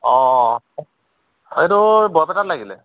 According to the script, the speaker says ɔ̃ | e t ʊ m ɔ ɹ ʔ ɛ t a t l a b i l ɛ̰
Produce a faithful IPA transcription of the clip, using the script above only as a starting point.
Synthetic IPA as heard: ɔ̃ | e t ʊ b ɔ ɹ p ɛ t a t l a ɡ i l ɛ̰